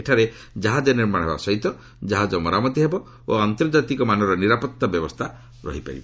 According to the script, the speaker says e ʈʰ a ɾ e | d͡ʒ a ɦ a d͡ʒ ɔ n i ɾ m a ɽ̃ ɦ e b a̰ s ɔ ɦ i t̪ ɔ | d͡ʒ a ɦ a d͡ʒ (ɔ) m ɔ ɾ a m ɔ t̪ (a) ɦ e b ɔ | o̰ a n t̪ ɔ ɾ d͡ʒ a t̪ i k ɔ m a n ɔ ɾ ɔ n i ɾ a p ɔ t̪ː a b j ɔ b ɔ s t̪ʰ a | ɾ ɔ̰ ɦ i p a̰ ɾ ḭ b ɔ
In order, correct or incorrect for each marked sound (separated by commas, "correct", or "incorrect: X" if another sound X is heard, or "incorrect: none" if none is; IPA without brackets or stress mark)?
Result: correct, incorrect: i